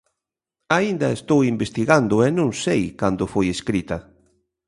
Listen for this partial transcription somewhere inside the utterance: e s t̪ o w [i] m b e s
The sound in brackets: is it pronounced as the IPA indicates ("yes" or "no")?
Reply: yes